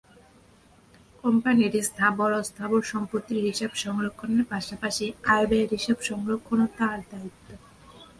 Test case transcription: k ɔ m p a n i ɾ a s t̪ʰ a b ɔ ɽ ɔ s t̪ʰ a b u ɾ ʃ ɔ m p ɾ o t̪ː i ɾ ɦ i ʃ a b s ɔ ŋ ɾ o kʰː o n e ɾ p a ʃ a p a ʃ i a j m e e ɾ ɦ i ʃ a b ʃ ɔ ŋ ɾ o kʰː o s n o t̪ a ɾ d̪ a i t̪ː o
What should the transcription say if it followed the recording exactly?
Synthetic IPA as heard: k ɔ m p a n i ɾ i s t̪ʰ a b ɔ ɾ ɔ s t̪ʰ a b o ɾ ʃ ɔ m p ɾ o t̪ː i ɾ ɦ i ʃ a b ʃ ɔ ŋ ɾ o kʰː o n e ɾ p a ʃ a p a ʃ i a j b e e ɾ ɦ i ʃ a b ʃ ɔ ŋ ɾ o kʰː o n o t̪ a ɾ d̪ a i t̪ː o